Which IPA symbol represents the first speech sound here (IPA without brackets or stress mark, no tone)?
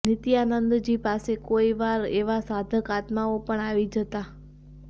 n